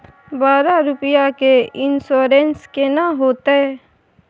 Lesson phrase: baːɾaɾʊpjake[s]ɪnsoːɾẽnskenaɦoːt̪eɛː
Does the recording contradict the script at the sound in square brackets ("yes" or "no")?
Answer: yes